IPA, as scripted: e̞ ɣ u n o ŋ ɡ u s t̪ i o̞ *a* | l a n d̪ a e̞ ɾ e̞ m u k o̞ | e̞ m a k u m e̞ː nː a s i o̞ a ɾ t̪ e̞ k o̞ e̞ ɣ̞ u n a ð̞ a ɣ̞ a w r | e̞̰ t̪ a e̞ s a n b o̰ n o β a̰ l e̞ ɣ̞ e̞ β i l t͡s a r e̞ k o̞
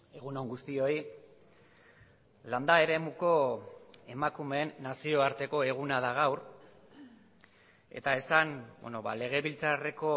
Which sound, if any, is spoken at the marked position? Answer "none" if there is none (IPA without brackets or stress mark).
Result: i